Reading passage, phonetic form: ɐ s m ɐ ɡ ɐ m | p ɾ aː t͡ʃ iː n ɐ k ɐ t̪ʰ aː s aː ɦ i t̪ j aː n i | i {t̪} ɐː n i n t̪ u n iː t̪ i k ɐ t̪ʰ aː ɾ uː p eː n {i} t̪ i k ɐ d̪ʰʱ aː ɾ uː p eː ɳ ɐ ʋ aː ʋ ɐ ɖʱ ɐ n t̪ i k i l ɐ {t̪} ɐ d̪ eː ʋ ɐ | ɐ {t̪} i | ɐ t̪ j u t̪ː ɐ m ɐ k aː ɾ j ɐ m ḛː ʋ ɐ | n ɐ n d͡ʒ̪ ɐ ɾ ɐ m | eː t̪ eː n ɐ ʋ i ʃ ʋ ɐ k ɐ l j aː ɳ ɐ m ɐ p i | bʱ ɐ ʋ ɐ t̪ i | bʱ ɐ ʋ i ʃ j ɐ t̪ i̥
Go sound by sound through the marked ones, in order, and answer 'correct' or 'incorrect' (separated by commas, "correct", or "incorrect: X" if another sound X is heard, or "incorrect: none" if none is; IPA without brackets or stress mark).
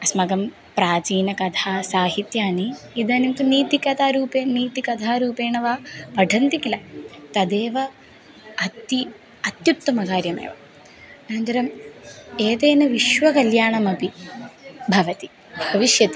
incorrect: d̪, incorrect: iː, correct, correct